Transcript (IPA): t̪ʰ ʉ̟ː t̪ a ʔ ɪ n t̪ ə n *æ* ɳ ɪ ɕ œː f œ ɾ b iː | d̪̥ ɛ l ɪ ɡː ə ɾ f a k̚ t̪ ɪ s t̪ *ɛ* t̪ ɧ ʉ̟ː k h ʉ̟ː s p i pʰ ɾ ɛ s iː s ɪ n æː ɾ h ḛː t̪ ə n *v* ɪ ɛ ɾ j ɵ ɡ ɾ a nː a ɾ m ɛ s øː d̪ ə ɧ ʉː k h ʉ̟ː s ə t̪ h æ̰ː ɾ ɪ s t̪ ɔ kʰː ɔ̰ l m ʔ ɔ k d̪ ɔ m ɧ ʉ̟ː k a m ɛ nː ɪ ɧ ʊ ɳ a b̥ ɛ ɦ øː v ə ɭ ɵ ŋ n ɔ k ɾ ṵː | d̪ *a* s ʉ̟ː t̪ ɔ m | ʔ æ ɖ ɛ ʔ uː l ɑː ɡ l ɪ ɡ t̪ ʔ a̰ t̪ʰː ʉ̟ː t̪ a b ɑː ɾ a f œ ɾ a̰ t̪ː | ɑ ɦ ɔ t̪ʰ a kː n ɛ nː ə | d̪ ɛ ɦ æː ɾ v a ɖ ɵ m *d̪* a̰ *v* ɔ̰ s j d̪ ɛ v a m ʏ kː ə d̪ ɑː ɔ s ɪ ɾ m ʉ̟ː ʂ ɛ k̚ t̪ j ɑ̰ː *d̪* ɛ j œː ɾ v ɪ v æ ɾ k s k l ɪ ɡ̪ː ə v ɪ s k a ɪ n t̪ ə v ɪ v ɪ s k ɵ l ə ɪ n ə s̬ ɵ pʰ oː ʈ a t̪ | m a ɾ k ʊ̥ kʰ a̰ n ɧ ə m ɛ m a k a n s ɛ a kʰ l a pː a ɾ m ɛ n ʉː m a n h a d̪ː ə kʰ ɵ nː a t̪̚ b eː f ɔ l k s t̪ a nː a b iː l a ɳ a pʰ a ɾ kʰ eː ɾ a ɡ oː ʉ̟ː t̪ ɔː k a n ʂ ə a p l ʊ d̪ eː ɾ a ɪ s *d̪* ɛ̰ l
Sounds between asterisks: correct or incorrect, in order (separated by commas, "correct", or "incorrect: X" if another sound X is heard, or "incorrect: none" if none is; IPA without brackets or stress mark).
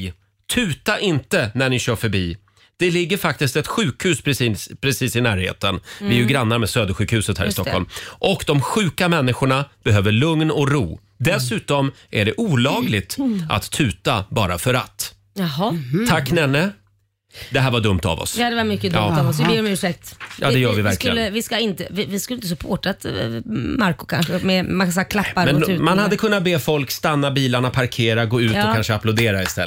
correct, correct, correct, incorrect: ɛ, incorrect: t̪, correct, correct, incorrect: t̪